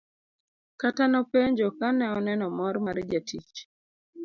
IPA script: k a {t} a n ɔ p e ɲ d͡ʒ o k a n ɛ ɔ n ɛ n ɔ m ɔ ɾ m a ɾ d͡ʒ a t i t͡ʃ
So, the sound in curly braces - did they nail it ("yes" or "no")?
yes